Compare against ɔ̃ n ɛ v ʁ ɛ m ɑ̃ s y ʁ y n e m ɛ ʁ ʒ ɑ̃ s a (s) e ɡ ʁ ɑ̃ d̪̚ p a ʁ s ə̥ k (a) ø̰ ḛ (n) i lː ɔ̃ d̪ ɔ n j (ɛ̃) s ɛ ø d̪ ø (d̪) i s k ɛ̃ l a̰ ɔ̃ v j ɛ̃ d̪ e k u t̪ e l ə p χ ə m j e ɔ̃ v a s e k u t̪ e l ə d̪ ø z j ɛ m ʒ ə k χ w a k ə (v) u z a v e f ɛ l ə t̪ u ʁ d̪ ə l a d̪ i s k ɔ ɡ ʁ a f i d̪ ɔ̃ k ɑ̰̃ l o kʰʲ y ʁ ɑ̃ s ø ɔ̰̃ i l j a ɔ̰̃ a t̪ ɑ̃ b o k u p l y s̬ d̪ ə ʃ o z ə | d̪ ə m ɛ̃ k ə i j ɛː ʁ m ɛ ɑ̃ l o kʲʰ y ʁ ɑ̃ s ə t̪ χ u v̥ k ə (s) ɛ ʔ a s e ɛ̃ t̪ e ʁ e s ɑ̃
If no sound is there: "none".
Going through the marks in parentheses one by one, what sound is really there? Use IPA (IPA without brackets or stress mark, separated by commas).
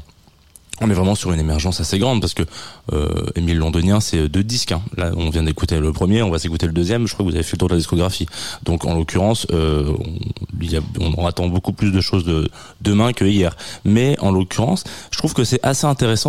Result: s, ə, m, ɛ̃, d̪, v, s